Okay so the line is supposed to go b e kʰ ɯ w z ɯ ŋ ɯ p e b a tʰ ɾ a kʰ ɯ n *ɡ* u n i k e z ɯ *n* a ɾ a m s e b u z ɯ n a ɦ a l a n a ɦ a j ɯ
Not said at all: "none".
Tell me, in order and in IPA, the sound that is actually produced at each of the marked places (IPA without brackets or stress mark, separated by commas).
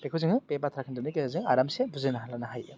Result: d, ŋ